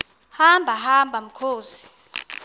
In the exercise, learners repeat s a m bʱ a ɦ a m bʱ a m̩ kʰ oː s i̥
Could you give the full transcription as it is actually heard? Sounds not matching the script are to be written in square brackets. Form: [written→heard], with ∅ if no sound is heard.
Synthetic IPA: [s→h] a m bʱ a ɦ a m bʱ a m̩ kʰ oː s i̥